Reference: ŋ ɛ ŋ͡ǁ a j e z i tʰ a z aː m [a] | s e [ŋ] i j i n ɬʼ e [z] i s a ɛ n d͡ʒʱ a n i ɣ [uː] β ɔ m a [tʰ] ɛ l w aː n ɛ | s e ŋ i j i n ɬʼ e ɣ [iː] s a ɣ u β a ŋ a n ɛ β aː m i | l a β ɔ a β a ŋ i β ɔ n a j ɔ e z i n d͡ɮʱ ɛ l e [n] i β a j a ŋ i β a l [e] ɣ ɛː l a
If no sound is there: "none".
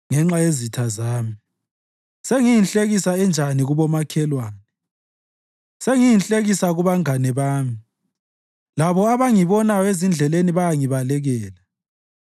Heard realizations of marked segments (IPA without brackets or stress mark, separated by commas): i, ŋ, ɣ, u, kʰ, i, n, ɛ